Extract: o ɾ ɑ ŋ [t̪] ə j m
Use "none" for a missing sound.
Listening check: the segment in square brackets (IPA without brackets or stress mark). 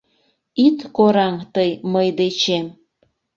t̪